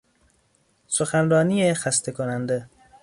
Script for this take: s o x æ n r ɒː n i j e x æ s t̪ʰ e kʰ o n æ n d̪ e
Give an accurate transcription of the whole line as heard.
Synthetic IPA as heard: s o x æ n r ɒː n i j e x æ s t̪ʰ e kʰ o n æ n d̪ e